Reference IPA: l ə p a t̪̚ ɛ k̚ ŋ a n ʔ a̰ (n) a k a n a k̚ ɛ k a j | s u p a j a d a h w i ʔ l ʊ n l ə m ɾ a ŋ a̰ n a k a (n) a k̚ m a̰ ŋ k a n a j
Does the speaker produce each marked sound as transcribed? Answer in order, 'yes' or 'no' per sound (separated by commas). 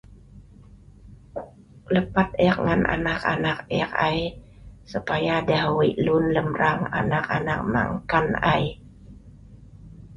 yes, yes